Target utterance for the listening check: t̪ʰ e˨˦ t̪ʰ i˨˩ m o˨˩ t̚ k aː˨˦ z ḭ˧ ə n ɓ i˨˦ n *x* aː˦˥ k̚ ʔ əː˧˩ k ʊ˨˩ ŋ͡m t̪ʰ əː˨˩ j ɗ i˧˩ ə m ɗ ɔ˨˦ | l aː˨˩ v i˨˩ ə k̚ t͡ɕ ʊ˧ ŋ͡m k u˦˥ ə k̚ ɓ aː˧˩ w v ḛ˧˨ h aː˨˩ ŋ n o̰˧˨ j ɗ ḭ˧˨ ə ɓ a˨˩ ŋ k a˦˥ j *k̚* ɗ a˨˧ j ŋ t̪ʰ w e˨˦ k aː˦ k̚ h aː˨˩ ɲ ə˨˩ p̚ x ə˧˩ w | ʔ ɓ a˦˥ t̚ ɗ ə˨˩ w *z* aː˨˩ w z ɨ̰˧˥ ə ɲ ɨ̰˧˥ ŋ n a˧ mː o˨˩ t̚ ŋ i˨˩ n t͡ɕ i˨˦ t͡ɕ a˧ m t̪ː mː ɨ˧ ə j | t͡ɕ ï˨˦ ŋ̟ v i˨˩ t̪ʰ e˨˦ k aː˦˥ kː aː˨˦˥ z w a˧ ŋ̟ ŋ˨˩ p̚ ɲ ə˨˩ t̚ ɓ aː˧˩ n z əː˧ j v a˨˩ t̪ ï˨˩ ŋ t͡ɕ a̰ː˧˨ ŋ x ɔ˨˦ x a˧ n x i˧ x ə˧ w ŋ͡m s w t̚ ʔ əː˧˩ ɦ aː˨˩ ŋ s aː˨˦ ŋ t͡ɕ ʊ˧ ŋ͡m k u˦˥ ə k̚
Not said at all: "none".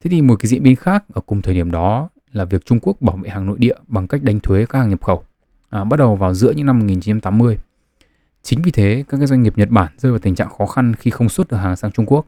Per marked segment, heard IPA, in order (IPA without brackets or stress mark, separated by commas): x, k̚, v